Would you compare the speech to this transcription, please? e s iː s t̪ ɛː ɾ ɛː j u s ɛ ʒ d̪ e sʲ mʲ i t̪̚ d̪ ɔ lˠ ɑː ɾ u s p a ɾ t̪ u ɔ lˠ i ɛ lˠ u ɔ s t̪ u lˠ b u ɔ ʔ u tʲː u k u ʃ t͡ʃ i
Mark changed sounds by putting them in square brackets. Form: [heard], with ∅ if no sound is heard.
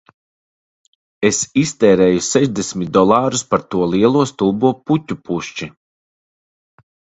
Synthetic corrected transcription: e s [i] s t̪ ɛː ɾ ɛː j u s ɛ ʒ d̪ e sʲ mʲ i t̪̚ d̪ ɔ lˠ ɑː ɾ u s p a ɾ t̪ u ɔ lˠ i ɛ lˠ u ɔ s t̪ u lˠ b u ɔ [p] u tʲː u [p] u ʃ t͡ʃ i